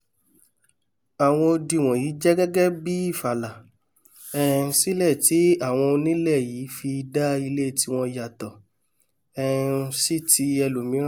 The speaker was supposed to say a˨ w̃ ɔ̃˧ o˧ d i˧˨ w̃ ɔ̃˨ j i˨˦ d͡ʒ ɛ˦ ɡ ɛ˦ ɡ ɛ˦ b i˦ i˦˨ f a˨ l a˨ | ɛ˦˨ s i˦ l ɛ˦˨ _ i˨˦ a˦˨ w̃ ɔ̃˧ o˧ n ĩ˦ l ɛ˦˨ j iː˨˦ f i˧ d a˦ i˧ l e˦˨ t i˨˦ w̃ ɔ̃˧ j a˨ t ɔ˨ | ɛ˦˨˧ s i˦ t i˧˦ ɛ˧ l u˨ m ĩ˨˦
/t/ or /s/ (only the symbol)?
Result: t